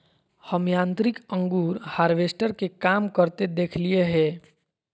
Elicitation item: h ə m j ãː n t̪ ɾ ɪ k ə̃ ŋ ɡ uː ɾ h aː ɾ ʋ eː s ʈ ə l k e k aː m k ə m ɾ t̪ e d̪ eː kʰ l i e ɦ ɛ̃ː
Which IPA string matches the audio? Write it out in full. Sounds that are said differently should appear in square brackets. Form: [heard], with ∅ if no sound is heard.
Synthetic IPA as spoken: h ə m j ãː n t̪ ɾ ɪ k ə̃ ŋ ɡ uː ɾ h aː ɾ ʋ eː s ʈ ə [ɾ] k e k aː m k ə [∅] ɾ t̪ e d̪ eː kʰ l i e ɦ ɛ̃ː